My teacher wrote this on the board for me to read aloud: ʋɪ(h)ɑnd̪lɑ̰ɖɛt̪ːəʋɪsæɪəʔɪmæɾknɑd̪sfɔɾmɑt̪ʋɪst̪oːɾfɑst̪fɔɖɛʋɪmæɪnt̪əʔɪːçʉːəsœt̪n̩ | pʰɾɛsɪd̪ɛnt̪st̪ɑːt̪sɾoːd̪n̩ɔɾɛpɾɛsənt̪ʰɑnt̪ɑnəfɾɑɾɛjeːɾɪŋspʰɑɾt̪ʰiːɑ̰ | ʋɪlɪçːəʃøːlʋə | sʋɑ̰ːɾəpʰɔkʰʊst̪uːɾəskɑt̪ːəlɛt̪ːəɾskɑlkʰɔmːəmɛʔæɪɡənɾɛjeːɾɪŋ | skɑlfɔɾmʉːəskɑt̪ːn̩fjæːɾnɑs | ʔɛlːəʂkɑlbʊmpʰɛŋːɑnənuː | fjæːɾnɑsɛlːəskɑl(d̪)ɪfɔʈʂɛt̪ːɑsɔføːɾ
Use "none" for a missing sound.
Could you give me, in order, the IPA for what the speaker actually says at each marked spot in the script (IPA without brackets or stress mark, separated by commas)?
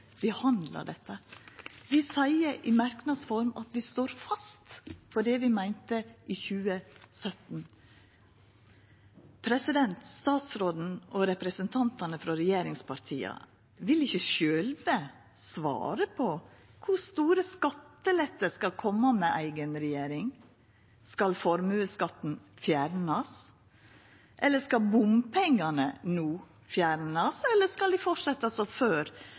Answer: h, d̪